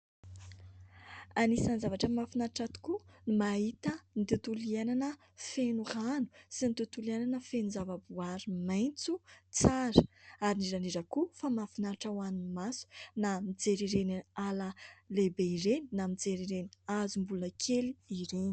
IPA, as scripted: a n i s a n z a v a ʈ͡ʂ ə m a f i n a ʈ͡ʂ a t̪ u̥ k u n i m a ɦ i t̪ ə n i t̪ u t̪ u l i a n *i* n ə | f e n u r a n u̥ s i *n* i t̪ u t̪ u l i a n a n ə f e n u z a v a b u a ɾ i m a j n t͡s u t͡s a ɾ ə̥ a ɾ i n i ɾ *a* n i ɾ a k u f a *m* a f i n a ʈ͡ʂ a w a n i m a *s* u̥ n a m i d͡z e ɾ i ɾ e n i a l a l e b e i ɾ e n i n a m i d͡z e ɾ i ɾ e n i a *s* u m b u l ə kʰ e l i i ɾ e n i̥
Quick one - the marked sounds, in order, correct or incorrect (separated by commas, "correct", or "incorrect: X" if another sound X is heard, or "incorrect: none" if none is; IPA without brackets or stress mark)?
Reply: incorrect: a, correct, correct, correct, correct, incorrect: z